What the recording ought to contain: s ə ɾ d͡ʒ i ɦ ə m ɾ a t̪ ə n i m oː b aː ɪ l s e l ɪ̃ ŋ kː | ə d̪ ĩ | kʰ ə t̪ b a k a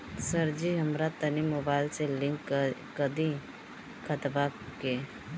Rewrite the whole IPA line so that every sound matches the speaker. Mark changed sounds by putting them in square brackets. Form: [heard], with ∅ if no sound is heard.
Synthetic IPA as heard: s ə ɾ d͡ʒ i ɦ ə m ɾ a t̪ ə n i m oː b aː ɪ l s e l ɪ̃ ŋ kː | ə d̪ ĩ | kʰ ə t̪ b a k [e]

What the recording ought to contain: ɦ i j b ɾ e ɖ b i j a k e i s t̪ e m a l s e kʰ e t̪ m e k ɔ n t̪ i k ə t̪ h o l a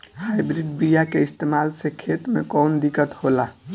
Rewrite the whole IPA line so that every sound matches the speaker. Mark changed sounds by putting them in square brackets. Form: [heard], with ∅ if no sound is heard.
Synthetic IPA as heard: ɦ [a] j b ɾ [i] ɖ b i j a k e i s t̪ e m a l s e kʰ e t̪ m e k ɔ n [d̪] i k ə t̪ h o l a

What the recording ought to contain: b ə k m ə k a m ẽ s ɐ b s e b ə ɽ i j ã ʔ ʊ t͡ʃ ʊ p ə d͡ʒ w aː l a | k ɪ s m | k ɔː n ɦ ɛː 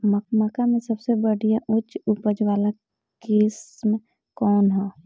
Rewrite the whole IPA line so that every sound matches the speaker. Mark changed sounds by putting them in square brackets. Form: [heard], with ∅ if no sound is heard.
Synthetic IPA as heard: [m] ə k m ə k a m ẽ s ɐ b s e b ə ɽ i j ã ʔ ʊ t͡ʃ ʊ p ə d͡ʒ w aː l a | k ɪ s m | k ɔː n ɦ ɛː

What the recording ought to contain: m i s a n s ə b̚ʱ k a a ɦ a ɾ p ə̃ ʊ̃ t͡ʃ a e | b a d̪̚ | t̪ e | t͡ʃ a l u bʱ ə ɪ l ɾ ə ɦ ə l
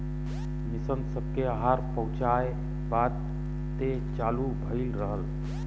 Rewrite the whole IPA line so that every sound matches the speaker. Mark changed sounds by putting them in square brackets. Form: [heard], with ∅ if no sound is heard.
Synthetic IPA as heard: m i s [ə] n s ə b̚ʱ k [e] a ɦ a ɾ p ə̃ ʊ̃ t͡ʃ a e | b a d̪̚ | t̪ e | t͡ʃ a l u bʱ ə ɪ l ɾ ə ɦ ə l

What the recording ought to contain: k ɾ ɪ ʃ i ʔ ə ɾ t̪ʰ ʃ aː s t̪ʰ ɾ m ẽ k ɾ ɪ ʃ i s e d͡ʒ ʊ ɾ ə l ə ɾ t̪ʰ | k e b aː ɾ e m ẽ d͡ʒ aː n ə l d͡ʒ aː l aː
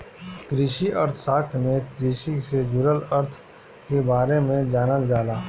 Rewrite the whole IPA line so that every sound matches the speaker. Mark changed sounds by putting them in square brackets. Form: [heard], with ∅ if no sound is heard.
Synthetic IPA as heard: k ɾ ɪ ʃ i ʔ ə ɾ t̪ʰ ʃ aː s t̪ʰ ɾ m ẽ k ɾ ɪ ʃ i s e d͡ʒ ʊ ɾ ə l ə ɾ t̪ʰ | k e b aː ɾ e m ẽ d͡ʒ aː n ə l d͡ʒ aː l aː

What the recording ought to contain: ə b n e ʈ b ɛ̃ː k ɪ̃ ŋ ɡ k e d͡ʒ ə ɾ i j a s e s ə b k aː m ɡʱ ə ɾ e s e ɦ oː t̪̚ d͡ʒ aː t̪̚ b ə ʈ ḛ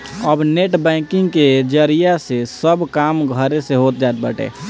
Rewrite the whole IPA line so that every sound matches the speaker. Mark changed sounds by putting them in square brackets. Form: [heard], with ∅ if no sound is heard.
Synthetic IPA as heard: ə b n e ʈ b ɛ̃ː k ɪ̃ ŋ ɡ k e d͡ʒ ə ɾ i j a s e s ə b k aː m ɡʱ ə ɾ e s e ɦ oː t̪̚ d͡ʒ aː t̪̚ b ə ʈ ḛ

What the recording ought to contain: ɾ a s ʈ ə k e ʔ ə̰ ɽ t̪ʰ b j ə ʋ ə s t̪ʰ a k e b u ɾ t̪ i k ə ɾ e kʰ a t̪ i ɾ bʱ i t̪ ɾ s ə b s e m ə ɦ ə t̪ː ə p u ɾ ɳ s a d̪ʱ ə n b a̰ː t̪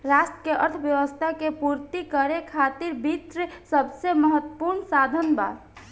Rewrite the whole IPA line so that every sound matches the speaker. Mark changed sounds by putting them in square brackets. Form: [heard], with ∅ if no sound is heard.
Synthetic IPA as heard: ɾ a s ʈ ə k e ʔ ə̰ [ɾ] t̪ʰ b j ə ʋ ə s t̪ʰ a k e [p] u ɾ t̪ i k ə ɾ e kʰ a t̪ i ɾ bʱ i t̪ ɾ s ə b s e m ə ɦ ə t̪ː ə p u ɾ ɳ s a d̪ʱ ə n b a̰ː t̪

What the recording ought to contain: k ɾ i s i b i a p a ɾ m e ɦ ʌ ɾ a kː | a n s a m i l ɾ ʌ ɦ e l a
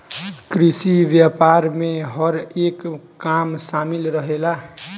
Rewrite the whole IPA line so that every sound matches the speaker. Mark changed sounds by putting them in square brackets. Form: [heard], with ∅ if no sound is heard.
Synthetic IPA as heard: k ɾ i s i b [j] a p a ɾ m e ɦ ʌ ɾ [e] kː | a [m] s a m i l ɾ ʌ ɦ e l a

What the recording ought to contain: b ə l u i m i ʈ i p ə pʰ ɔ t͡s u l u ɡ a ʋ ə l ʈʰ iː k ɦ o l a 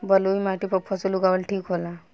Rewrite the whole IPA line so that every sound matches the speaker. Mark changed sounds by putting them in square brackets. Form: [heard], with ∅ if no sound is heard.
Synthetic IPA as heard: b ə l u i m [a] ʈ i p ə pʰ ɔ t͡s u l u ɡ a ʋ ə l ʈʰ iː k ɦ o l a

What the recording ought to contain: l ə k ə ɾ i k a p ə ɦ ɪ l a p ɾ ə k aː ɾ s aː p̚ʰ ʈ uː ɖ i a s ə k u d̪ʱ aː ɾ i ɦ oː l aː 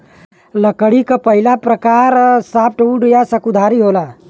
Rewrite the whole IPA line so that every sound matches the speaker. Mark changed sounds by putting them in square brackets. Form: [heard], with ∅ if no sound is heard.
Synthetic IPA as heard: l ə k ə [ɽ] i k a p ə ɦ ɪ l a p ɾ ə k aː ɾ s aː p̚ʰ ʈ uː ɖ [j] a s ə k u d̪ʱ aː ɾ i ɦ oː l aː

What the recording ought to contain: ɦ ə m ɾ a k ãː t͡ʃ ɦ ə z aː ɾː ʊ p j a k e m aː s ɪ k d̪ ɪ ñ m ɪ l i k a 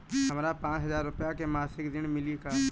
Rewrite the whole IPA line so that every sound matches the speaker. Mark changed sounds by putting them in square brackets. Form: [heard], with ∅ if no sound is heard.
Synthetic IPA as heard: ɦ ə m ɾ a [p] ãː t͡ʃ ɦ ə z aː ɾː ʊ p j a k e m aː s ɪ k d̪ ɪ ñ m ɪ l i k a

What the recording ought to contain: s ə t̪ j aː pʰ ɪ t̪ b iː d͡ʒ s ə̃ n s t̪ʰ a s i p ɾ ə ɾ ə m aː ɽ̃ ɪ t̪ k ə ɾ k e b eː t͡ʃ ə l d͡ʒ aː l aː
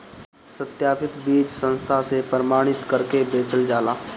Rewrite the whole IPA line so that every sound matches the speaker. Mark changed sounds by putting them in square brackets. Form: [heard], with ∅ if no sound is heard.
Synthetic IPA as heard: s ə t̪ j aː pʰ ɪ t̪ b iː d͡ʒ s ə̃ n s t̪ʰ a s [e] p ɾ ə ɾ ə m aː ɽ̃ ɪ t̪ k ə ɾ k e b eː t͡ʃ ə l d͡ʒ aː l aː

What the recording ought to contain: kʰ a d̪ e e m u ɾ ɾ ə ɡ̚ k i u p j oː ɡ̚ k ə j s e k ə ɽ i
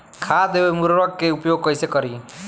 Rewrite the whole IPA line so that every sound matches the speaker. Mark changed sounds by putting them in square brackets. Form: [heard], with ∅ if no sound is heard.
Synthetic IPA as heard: kʰ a d̪ e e m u ɾ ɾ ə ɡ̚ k [e] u p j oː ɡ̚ k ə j s e k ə [ɾ] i

